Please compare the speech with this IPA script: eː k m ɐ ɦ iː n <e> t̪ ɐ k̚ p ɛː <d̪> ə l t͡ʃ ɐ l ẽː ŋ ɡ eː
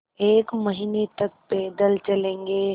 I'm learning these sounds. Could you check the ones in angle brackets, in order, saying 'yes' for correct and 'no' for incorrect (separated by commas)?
yes, yes